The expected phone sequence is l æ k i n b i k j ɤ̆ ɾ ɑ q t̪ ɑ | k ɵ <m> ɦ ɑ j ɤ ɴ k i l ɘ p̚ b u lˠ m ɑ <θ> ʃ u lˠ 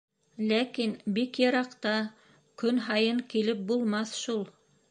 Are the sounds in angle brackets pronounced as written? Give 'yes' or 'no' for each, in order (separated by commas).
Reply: no, yes